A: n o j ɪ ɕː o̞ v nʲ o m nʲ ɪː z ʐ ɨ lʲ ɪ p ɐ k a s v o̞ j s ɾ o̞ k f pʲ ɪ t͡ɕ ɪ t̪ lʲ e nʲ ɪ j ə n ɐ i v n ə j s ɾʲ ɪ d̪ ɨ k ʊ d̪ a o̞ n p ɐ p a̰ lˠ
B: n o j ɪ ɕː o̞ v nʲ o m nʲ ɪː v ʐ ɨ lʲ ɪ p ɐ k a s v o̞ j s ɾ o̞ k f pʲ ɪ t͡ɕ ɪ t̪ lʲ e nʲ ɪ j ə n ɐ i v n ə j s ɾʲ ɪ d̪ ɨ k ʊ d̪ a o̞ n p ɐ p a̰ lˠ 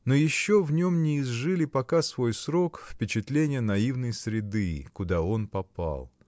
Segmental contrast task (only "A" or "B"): A